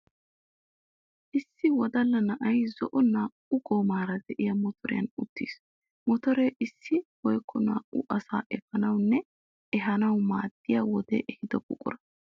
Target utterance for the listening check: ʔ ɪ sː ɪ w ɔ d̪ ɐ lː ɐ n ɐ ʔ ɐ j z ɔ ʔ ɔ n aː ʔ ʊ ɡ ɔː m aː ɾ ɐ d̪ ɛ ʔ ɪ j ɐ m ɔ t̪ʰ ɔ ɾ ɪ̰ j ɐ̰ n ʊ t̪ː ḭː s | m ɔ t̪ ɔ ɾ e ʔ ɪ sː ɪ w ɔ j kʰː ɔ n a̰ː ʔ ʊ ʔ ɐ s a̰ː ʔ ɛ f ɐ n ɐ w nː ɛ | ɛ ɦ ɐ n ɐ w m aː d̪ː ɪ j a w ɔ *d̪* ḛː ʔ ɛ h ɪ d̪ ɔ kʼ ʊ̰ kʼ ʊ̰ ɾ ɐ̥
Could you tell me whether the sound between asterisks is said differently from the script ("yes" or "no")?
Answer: no